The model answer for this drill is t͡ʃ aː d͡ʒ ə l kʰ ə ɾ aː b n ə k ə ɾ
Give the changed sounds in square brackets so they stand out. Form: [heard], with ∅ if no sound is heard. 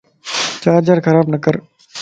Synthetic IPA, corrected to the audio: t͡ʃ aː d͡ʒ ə [ɾ] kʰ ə ɾ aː b n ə k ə ɾ